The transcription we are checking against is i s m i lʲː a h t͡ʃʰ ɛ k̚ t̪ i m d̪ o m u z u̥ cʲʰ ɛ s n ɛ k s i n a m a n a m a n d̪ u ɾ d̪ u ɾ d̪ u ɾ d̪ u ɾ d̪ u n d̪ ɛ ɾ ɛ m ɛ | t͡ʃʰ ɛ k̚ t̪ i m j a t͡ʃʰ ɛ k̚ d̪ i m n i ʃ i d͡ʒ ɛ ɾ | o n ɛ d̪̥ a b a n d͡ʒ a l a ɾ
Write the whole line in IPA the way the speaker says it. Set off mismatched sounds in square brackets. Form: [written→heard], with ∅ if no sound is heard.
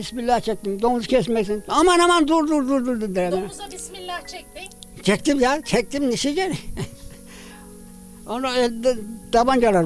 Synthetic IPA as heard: i s m i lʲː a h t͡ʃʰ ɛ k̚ t̪ i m d̪ o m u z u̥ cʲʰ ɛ s [n→m] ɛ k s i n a m a n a m a n d̪ u ɾ d̪ u ɾ d̪ u ɾ d̪ u ɾ d̪ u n d̪ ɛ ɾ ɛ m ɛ | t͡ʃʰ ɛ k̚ t̪ i m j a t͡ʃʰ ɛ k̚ [d̪→t̪] i m n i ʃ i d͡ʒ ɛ ɾ | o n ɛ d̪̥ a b a n d͡ʒ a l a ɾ